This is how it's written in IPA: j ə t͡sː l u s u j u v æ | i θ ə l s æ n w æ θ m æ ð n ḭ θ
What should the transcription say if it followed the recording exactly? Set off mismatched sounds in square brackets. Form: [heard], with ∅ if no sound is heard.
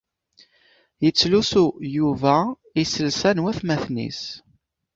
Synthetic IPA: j ə t͡sː l u s u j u v æ | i [s] ə l s æ n w æ θ m æ [θ] n ḭ [s]